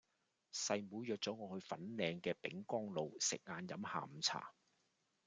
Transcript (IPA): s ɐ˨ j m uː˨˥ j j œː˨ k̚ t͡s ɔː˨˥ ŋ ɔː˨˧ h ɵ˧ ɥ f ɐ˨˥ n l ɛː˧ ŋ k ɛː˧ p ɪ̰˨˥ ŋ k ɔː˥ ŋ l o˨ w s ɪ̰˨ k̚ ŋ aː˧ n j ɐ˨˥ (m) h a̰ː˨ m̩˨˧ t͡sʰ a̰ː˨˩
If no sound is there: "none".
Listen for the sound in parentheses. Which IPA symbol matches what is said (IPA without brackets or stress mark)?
m